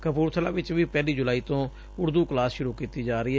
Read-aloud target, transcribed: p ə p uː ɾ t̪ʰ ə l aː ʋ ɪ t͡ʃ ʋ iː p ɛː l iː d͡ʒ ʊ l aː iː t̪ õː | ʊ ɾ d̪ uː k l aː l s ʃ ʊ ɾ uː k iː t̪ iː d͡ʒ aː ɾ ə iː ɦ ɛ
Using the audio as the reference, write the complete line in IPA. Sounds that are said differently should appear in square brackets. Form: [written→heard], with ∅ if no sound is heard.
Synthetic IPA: [p→k] ə p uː ɾ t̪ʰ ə l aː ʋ ɪ t͡ʃ ʋ iː p ɛː l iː d͡ʒ ʊ l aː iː t̪ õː | ʊ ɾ d̪ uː k l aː [l→∅] s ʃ ʊ ɾ uː k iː t̪ iː d͡ʒ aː ɾ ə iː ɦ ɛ